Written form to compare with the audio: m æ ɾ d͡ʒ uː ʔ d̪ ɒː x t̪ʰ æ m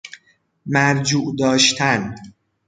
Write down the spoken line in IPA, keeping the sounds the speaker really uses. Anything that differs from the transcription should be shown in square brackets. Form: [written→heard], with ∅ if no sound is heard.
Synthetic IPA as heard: m æ ɾ d͡ʒ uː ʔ d̪ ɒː [x→ʃ] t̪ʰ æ [m→n]